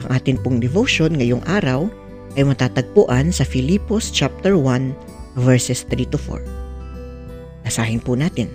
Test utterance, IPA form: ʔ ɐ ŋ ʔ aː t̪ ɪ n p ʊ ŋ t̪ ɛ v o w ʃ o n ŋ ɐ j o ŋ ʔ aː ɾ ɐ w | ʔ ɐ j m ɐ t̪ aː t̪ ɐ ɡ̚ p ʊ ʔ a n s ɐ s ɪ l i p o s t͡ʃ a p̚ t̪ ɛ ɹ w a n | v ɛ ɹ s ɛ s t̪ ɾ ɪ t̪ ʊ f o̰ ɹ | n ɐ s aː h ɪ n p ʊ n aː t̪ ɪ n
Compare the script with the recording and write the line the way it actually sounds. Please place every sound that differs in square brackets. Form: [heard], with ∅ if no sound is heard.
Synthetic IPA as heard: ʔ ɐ ŋ ʔ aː t̪ ɪ n p ʊ ŋ [d̪] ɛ v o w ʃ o n ŋ ɐ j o ŋ ʔ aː ɾ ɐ w | ʔ ɐ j m ɐ t̪ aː t̪ ɐ ɡ̚ p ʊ ʔ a n s ɐ [f] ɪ l i p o s t͡ʃ a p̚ t̪ ɛ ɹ w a n | v ɛ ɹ s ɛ s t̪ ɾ [i] t̪ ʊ f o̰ ɹ | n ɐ s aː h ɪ n p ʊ n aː t̪ ɪ n